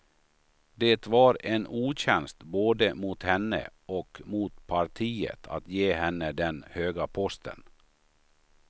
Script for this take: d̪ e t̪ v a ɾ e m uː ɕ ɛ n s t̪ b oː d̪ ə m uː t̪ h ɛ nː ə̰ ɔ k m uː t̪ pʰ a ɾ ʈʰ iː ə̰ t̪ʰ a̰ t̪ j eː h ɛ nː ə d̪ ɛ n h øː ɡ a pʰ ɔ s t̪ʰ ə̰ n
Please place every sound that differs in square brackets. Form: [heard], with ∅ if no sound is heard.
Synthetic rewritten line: d̪ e t̪ v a ɾ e [n] uː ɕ ɛ n s t̪ b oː d̪ ə m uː t̪ h ɛ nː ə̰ ɔ k m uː t̪ pʰ a ɾ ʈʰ iː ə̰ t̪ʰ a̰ t̪ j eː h ɛ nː ə d̪ ɛ n h øː ɡ a pʰ ɔ s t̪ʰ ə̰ n